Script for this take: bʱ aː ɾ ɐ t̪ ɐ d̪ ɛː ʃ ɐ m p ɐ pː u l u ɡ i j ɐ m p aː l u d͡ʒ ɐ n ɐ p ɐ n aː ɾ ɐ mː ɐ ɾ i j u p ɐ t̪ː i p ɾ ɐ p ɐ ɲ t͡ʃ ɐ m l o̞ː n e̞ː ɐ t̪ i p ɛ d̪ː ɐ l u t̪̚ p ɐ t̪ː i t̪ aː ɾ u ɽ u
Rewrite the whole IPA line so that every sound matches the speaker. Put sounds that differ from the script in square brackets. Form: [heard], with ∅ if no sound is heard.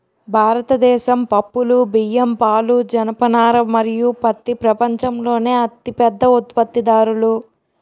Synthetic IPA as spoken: bʱ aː ɾ ɐ t̪ ɐ d̪ ɛː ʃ ɐ m p ɐ pː u l u [b] i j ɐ m p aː l u d͡ʒ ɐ n ɐ p ɐ n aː ɾ ɐ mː ɐ ɾ i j u p ɐ t̪ː i p ɾ ɐ p ɐ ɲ t͡ʃ ɐ m l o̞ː n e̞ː ɐ t̪ i p ɛ d̪ː ɐ [∅] u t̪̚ p ɐ t̪ː i [d̪] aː ɾ u [l] u

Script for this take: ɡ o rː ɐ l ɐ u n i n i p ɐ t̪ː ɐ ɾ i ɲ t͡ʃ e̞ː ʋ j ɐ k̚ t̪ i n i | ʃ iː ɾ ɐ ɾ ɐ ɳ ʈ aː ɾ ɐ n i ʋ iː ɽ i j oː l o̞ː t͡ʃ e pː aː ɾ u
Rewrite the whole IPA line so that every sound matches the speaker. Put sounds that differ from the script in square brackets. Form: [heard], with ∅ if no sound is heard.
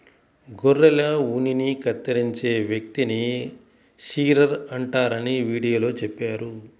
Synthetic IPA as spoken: ɡ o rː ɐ l ɐ u n i n i [k] ɐ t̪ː ɐ ɾ i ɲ t͡ʃ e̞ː ʋ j ɐ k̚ t̪ i n i | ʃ iː ɾ ɐ ɾ ɐ ɳ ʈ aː ɾ ɐ n i ʋ iː ɽ i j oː l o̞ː t͡ʃ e pː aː ɾ u

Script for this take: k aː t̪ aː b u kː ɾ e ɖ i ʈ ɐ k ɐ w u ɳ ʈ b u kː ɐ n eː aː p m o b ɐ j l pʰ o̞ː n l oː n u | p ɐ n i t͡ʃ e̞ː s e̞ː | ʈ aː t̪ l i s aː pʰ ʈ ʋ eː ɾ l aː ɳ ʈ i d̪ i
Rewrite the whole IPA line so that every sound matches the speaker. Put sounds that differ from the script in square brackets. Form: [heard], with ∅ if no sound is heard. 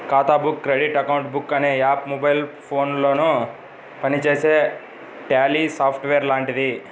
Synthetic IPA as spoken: k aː t̪ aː b u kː ɾ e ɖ i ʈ ɐ k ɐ w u ɳ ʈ b u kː ɐ n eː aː p m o b ɐ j l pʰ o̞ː n l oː n u | p ɐ n i t͡ʃ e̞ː s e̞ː | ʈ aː [∅] l i s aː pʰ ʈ ʋ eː ɾ l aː ɳ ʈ i d̪ i

